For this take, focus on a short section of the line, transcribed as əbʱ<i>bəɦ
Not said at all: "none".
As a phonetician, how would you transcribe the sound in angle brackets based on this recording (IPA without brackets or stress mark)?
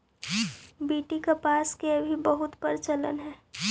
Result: i